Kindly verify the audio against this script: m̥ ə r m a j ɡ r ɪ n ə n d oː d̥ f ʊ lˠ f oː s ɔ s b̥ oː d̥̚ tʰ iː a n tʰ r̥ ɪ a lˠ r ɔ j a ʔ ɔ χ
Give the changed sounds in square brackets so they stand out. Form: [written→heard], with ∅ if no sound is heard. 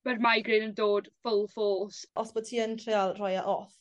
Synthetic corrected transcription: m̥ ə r m a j ɡ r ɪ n ə n d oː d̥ f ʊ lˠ f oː s ɔ s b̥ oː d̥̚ tʰ iː [a→ə] n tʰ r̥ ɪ a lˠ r ɔ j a ʔ ɔ [χ→θ]